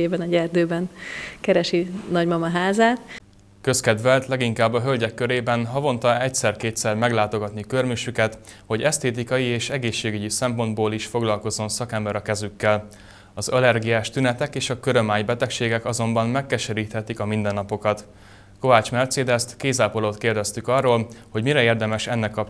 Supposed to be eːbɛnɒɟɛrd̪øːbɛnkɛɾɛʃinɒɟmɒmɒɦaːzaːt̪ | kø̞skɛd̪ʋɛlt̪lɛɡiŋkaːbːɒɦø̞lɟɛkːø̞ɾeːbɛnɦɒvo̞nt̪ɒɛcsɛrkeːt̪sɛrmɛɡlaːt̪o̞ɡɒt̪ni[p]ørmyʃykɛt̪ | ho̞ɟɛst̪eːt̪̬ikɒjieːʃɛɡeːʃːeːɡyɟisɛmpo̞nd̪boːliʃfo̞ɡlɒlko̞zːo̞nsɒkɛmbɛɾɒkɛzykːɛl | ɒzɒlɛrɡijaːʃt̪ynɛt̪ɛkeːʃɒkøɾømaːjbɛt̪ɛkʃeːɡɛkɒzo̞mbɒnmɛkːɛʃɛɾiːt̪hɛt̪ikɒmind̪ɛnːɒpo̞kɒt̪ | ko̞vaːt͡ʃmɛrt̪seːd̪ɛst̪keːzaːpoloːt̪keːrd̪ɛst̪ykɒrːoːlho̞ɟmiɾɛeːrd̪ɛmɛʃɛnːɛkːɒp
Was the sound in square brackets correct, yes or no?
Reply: no